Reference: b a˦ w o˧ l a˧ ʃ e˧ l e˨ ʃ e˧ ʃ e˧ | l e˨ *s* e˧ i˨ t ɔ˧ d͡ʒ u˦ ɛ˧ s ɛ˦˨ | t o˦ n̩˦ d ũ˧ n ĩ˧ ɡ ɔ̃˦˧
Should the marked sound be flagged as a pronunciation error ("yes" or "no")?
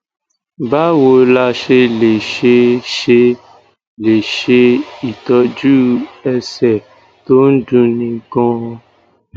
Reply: yes